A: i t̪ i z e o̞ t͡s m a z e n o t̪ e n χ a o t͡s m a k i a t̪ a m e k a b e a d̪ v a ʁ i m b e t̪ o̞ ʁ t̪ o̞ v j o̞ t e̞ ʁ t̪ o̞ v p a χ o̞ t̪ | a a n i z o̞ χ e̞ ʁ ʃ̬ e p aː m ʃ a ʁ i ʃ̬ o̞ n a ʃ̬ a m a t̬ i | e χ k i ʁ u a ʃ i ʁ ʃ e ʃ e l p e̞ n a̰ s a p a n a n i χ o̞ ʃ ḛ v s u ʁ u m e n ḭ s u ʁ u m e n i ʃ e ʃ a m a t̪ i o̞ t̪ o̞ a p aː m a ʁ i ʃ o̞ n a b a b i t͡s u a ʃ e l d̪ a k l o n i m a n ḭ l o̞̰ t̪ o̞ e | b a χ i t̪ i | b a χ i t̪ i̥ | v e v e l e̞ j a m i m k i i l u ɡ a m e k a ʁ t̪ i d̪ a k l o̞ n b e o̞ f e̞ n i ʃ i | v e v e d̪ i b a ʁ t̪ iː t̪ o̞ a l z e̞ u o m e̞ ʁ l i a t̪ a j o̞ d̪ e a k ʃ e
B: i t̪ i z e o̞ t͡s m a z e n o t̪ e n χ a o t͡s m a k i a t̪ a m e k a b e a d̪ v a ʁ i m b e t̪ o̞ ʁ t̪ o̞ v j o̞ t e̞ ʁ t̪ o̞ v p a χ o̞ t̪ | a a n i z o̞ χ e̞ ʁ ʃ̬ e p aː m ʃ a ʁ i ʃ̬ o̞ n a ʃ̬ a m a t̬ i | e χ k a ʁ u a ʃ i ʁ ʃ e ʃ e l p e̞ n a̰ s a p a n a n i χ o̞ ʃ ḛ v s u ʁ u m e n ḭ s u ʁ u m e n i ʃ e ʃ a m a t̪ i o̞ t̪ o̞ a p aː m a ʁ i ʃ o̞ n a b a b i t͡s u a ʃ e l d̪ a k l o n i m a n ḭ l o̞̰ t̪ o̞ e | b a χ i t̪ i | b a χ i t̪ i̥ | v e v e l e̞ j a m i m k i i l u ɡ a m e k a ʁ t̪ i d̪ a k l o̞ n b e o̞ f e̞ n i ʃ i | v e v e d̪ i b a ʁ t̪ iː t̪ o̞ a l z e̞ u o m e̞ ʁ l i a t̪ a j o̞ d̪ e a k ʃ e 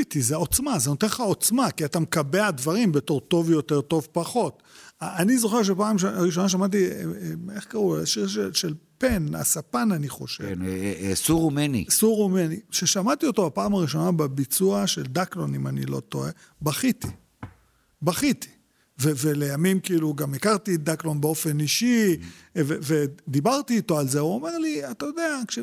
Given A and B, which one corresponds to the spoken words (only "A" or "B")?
B